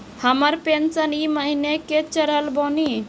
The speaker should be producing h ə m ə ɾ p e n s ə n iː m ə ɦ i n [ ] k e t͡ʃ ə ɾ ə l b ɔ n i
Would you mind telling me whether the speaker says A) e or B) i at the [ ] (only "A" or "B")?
A